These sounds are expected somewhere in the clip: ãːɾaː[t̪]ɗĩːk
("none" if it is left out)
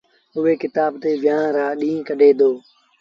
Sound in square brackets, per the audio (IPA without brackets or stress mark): none